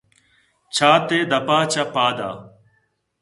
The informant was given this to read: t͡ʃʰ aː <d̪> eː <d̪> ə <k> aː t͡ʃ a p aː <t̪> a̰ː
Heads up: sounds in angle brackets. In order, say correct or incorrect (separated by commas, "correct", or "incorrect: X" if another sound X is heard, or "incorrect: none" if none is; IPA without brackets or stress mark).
incorrect: t̪, correct, incorrect: p, incorrect: d̪